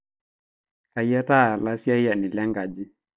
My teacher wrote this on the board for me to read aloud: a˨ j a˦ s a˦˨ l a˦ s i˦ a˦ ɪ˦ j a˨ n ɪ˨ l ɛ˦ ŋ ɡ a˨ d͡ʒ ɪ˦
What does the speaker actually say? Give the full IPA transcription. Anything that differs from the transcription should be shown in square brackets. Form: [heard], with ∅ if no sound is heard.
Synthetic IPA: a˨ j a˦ [t] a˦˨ l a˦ s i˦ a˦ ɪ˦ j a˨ n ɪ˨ l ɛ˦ ŋ ɡ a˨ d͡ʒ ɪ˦